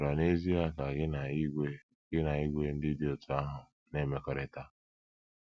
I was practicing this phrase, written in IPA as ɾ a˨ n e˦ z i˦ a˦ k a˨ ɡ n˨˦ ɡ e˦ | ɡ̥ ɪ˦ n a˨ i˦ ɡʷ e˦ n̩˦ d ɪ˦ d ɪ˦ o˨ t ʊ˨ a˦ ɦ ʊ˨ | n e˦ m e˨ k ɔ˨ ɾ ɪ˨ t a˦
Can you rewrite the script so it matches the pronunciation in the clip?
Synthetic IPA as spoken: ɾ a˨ n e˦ z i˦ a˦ k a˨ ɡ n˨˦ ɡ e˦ | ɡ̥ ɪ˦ n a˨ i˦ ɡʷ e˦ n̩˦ d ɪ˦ d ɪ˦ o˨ t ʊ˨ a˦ ɦ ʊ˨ | n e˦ m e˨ k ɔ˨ ɾ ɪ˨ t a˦